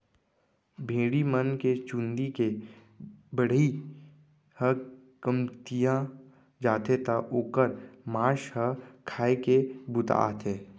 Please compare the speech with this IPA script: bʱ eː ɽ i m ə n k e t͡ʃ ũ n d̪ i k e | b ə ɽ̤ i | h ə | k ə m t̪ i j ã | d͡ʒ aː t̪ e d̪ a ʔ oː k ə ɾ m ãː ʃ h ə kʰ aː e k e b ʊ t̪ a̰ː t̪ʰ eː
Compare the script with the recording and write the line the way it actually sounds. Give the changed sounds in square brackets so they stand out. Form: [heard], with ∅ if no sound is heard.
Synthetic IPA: bʱ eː ɽ i m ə n k e t͡ʃ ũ n d̪ i k e | b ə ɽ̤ i | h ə | k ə m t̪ i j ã | d͡ʒ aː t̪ e [t̪] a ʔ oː k ə ɾ m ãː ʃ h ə kʰ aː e k e b ʊ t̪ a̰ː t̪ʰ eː

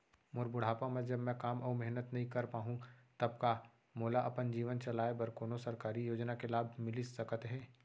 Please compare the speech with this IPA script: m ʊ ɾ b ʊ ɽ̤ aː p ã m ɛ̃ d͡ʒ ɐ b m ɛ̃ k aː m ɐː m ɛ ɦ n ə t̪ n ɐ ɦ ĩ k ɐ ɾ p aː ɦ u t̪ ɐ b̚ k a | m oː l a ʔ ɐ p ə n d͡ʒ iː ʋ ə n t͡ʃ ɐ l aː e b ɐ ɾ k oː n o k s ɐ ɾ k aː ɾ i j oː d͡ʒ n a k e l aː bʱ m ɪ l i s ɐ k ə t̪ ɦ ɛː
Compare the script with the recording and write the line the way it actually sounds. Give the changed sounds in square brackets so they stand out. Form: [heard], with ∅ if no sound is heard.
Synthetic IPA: m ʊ ɾ b ʊ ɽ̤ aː p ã m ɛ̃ d͡ʒ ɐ b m ɛ̃ k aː m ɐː m ɛ ɦ n ə t̪ n ɐ ɦ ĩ k ɐ ɾ p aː ɦ [ũ] t̪ ɐ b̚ k a | m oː l a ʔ ɐ p ə n d͡ʒ iː ʋ ə n t͡ʃ ɐ l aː e b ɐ ɾ k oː n o [∅] s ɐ ɾ k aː ɾ i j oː d͡ʒ n a k e l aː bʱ m ɪ l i s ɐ k ə t̪ ɦ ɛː

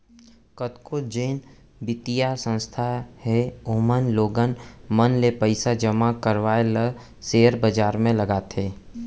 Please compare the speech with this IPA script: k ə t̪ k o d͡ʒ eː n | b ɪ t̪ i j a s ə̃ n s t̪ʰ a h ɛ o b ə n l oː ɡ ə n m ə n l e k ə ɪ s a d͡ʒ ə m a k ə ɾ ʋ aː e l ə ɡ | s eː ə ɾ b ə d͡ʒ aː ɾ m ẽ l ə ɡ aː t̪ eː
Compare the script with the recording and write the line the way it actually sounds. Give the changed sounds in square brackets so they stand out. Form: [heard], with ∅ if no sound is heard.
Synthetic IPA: k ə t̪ k o d͡ʒ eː n | b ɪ t̪ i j a s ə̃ n s t̪ʰ a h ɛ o [m] ə n l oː ɡ ə n m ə n l e [p] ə ɪ s a d͡ʒ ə m a k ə ɾ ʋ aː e l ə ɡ | s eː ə ɾ b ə d͡ʒ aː ɾ m ẽ l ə ɡ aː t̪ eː

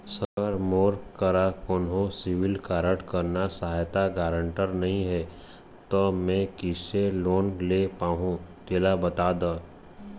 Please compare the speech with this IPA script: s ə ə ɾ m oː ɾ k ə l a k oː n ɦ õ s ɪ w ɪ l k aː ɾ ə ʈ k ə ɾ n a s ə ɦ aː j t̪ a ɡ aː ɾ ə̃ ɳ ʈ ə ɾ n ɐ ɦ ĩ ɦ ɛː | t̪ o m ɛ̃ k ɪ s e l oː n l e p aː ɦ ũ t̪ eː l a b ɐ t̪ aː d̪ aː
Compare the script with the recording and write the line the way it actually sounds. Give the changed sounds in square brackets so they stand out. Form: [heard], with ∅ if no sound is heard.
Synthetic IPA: s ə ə ɾ m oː ɾ k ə [ɾ] a k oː n ɦ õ s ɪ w ɪ l k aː ɾ ə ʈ k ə ɾ n a s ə ɦ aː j t̪ a ɡ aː ɾ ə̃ ɳ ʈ ə ɾ n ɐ ɦ ĩ ɦ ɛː | t̪ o m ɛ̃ k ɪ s e l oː n l e p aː ɦ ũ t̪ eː l a b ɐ t̪ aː d̪ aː

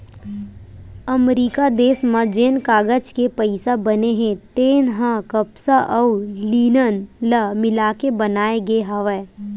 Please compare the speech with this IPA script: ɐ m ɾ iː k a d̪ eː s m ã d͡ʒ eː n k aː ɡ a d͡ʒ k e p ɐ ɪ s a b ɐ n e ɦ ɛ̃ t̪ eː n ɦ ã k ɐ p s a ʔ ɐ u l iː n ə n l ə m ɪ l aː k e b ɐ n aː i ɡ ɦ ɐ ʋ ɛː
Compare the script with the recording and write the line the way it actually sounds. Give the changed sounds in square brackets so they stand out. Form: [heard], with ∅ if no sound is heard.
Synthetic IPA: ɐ m ɾ iː k a d̪ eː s m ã d͡ʒ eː n k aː ɡ [ə] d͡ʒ k e p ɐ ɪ s a b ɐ n e ɦ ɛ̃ t̪ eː n ɦ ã k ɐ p s a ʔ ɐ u l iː n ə n l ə m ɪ l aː k e b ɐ n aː [e] ɡ ɦ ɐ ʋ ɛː

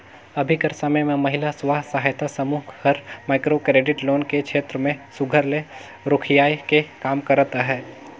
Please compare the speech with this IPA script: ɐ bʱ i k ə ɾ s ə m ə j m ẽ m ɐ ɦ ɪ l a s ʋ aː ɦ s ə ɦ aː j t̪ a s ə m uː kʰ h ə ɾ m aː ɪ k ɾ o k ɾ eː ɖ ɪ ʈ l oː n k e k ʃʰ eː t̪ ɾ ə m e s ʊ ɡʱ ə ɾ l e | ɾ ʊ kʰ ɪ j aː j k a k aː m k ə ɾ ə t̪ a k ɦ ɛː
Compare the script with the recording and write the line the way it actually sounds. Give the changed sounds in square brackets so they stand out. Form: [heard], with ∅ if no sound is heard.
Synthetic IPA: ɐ bʱ i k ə ɾ s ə m ə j m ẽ m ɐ ɦ ɪ l a s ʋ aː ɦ s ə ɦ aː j t̪ a s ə m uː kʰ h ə ɾ m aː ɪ k ɾ o k ɾ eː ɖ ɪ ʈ l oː n k e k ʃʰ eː t̪ ɾ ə m [ẽ] s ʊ ɡʱ ə ɾ l e | ɾ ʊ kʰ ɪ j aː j k [e] k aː m k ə ɾ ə t̪ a [∅] ɦ ɛː

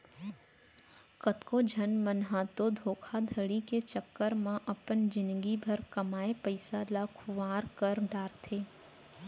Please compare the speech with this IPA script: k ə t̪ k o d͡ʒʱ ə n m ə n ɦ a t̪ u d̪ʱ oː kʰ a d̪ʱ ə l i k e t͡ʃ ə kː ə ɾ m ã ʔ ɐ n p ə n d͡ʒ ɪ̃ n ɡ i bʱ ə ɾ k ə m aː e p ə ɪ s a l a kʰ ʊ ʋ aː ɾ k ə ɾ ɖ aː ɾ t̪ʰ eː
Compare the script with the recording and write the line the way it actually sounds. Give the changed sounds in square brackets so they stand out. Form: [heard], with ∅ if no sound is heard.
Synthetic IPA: k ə t̪ k o d͡ʒʱ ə n m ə n ɦ a t̪ [o] d̪ʱ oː kʰ a d̪ʱ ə [ɽ] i k e t͡ʃ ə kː ə ɾ m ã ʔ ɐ [∅] p ə n d͡ʒ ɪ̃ n ɡ i bʱ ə ɾ k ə m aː e p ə ɪ s a l a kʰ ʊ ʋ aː ɾ k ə ɾ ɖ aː ɾ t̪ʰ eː

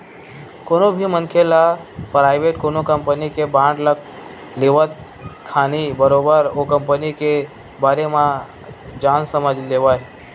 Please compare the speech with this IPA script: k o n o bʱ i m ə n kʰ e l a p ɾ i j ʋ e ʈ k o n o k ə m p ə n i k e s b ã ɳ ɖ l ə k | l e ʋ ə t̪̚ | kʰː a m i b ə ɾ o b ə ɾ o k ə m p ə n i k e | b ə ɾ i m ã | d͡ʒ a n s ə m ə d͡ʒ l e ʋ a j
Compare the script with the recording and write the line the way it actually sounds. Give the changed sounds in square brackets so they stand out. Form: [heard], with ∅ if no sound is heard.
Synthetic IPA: k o n o bʱ i m ə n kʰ e l a p ɾ [a] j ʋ e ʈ k o n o k ə m p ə n i k e [∅] b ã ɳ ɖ l ə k | l e ʋ ə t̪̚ | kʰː a [n] i b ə ɾ o b ə ɾ o k ə m p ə n i k e | b [a] ɾ [e] m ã | d͡ʒ a n s ə m ə d͡ʒ l e ʋ a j

